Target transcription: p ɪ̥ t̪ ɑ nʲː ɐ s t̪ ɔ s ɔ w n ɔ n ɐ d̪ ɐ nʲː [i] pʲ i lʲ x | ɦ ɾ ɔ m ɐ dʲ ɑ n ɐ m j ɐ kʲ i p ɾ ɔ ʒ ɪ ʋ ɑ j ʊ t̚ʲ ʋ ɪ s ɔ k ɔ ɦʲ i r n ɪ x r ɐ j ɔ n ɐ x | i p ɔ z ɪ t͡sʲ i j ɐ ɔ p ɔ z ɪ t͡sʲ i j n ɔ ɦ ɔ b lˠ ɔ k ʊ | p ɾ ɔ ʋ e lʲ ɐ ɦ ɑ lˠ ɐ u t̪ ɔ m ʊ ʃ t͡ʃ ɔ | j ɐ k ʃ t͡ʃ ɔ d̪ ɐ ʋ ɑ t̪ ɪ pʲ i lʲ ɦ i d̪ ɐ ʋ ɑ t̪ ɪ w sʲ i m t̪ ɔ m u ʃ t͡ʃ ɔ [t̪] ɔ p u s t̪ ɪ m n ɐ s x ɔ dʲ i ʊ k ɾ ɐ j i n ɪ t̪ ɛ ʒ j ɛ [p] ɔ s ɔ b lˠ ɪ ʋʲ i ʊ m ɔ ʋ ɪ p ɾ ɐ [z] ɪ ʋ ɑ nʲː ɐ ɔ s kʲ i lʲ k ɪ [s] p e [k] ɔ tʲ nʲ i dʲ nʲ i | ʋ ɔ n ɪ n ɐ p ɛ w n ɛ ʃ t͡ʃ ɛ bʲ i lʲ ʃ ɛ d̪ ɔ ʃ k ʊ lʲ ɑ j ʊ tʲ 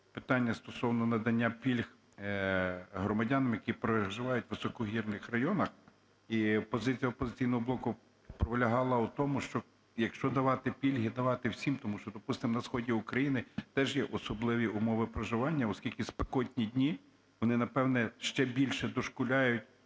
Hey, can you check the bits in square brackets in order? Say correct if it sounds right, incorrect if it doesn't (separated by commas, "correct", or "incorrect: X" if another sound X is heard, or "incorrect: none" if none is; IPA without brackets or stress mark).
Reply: incorrect: a, incorrect: d̪, incorrect: ʔ, incorrect: ʒ, correct, correct